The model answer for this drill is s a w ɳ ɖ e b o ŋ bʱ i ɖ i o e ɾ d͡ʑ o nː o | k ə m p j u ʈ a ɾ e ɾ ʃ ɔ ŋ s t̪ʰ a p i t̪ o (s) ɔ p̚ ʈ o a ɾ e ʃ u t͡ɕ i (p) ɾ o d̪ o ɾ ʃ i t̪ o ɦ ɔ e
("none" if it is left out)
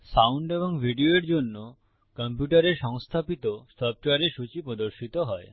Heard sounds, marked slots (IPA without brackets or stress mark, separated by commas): s, p